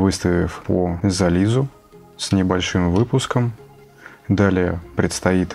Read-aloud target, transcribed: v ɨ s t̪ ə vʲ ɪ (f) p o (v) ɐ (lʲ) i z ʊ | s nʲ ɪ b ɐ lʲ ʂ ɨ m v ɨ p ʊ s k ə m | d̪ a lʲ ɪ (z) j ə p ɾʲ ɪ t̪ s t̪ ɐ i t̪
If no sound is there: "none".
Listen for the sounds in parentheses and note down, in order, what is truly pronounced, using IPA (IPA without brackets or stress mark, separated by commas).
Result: f, z, lʲ, none